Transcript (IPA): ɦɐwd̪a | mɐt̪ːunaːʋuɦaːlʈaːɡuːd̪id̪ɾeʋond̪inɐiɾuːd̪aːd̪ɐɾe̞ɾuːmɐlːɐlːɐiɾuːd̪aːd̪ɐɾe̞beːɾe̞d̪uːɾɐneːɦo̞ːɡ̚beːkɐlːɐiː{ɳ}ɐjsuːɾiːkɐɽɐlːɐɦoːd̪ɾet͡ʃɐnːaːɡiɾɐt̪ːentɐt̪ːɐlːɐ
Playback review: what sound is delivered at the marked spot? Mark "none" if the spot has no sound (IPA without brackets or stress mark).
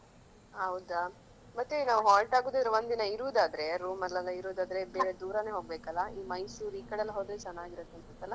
m